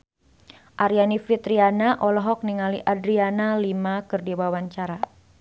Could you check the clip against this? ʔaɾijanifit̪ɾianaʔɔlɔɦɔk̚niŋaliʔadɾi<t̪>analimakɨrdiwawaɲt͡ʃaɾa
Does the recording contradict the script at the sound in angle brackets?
yes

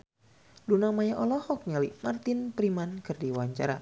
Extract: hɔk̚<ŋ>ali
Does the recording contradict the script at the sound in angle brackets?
yes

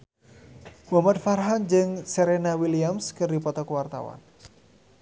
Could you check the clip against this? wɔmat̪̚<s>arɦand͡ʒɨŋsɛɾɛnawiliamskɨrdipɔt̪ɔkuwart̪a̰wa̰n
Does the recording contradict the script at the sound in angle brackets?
yes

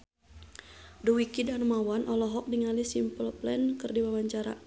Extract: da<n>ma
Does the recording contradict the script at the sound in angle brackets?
no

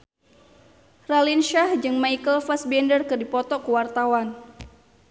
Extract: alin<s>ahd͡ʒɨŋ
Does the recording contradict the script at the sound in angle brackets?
yes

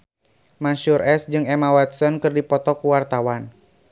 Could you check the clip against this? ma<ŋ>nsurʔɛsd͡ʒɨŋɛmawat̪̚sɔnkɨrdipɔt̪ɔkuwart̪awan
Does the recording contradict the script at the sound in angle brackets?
yes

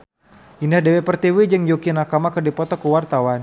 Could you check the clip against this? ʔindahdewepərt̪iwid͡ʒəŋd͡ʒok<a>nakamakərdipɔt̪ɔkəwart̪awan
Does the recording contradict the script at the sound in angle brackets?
yes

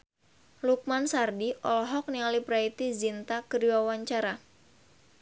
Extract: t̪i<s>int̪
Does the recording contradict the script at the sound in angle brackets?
yes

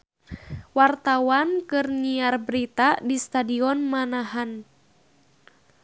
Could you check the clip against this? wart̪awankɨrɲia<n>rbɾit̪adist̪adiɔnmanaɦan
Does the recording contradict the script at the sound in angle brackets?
yes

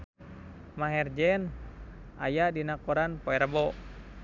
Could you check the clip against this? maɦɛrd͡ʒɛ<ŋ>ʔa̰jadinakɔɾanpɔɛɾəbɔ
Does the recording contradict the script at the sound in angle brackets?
yes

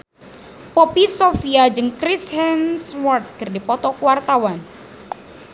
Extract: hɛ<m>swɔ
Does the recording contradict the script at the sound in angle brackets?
yes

